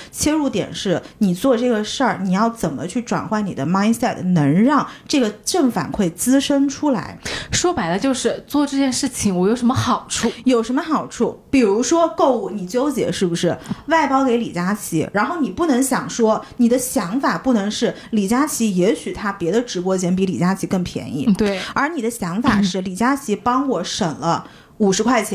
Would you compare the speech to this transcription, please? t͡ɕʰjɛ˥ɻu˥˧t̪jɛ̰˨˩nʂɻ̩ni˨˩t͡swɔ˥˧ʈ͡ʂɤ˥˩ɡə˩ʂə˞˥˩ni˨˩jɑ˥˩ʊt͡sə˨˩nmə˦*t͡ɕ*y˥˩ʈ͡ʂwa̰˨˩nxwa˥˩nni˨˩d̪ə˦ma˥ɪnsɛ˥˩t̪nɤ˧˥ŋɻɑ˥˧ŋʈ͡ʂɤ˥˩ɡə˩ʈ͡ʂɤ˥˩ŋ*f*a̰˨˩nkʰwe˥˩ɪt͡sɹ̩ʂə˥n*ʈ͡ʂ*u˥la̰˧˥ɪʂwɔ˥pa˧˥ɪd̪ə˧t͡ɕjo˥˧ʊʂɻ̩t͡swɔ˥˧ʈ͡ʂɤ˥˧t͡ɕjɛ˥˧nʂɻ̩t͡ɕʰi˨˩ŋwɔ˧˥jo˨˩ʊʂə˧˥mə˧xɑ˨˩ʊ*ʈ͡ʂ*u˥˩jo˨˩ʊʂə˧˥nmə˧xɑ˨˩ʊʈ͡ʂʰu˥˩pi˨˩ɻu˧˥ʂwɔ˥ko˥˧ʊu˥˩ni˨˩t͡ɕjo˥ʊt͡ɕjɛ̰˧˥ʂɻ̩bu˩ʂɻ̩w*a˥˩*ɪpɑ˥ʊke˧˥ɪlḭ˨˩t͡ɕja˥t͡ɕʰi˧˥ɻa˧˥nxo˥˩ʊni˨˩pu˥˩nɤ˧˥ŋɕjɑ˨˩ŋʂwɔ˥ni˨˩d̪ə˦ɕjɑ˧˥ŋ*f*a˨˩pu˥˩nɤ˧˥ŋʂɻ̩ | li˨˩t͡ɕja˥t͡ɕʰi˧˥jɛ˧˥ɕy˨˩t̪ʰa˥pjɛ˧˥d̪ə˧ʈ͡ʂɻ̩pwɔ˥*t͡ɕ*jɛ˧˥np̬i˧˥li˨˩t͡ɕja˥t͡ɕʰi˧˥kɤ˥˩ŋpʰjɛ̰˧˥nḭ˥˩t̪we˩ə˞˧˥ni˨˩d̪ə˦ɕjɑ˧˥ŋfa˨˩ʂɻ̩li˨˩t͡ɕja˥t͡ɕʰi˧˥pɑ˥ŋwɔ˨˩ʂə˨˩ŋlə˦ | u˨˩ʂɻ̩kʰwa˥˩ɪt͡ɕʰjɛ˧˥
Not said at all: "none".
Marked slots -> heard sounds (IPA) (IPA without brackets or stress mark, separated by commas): t͡ɕʰ, f, ʈ͡ʂʰ, ʈ͡ʂʰ, a˥˩, f, t͡ɕʰ